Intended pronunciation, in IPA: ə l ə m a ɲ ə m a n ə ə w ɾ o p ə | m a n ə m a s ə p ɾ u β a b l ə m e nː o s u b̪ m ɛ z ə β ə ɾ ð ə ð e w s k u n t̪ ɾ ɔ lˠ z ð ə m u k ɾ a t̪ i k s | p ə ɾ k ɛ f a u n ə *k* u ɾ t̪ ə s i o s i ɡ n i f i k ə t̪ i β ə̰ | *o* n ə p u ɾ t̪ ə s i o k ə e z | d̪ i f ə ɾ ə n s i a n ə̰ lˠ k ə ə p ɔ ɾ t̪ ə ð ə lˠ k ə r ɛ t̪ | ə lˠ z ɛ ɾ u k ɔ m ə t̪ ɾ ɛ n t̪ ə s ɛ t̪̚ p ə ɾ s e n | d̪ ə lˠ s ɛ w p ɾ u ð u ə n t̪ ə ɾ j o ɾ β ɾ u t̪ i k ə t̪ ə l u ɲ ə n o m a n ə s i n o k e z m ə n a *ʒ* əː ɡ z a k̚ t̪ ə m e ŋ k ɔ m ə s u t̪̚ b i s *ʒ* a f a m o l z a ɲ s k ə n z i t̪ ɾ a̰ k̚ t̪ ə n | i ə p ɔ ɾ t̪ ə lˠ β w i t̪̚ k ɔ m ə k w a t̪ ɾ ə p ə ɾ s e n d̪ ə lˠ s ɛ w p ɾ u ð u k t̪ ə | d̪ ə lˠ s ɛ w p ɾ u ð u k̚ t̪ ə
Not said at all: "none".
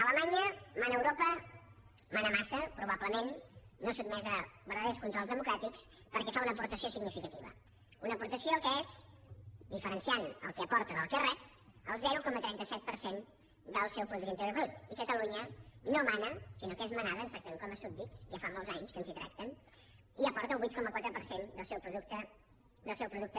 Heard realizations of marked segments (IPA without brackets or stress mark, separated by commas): p, u, ð, ʒ